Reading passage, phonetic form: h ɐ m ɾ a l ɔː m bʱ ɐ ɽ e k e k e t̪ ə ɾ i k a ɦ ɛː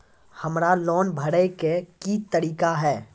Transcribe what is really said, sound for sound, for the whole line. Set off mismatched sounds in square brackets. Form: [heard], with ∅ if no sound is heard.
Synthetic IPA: h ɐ m ɾ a l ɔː [n] bʱ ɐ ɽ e k e k [i] t̪ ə ɾ [iː] k a ɦ ɛː